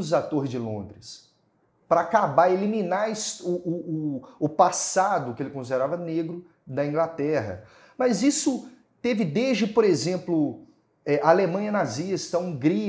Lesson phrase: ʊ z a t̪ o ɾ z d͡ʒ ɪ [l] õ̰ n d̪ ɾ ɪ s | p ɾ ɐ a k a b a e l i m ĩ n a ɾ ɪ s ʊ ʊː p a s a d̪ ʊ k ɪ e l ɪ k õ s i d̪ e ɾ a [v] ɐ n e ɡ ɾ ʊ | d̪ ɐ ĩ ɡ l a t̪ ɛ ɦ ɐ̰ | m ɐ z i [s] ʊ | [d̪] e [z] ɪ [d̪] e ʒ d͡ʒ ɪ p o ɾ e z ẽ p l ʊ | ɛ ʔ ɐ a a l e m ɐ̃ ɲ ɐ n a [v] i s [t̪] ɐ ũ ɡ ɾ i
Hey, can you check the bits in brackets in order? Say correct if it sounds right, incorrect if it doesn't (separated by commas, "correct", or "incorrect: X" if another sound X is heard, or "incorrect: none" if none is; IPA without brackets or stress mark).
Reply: correct, correct, correct, incorrect: t̪, incorrect: v, correct, incorrect: z, correct